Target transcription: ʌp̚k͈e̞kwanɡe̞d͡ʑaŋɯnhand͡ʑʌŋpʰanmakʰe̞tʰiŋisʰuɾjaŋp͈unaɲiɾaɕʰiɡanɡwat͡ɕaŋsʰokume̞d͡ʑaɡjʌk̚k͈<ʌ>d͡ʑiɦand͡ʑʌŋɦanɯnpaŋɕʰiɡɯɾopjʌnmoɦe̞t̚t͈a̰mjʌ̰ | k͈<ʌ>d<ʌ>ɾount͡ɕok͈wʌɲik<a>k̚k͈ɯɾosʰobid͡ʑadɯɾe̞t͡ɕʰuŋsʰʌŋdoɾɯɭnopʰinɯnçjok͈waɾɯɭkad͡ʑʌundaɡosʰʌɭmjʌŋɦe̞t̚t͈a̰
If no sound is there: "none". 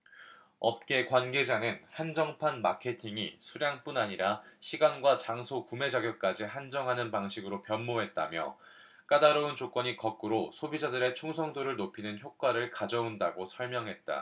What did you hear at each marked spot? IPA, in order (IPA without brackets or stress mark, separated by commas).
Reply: a, a, a, ʌ